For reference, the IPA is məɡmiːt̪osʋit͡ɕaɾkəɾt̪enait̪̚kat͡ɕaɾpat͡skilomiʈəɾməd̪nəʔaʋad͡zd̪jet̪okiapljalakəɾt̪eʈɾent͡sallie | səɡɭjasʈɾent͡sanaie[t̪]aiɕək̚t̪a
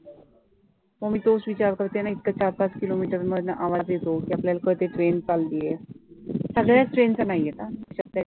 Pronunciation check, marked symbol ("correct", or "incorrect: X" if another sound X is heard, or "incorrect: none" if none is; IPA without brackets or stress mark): correct